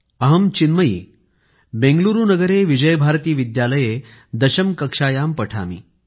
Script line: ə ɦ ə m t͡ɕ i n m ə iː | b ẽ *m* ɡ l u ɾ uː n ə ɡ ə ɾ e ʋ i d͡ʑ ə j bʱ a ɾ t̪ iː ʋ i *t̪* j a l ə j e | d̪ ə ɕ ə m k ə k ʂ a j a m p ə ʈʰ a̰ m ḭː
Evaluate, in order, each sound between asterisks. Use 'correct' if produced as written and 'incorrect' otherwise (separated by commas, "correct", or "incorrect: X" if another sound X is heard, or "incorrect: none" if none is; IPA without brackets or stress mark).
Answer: incorrect: ŋ, incorrect: d̪